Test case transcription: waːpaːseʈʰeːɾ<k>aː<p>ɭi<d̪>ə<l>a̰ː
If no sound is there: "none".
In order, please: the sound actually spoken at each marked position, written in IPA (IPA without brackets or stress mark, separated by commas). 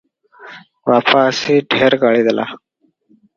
ɡ, none, d̪, l